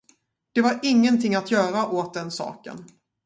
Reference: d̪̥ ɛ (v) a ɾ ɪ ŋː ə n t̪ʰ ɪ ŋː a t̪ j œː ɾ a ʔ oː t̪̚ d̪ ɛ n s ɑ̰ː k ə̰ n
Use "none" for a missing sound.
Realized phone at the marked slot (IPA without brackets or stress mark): v